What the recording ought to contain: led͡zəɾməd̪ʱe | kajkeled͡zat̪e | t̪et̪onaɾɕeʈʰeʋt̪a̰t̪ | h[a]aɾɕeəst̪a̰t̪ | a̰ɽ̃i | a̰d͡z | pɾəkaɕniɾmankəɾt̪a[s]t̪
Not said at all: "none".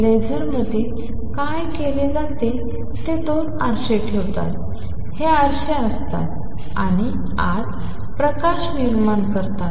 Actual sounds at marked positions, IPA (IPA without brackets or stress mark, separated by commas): e, none